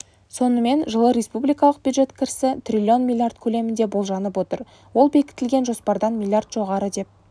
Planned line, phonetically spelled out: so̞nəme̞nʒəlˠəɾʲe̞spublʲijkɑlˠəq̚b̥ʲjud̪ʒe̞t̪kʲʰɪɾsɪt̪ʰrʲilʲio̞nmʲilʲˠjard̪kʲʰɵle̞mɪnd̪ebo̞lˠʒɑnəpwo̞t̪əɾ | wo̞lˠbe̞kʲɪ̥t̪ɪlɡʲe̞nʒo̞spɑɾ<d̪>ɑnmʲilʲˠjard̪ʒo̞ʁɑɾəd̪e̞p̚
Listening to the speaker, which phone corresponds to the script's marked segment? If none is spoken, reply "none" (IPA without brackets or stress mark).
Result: d̪